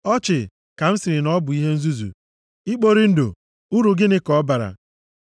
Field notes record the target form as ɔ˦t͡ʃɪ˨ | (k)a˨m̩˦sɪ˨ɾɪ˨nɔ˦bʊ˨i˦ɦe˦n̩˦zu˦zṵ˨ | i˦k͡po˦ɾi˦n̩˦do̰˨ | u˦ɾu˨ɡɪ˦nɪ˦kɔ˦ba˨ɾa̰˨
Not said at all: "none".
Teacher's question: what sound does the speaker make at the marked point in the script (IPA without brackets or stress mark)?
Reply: k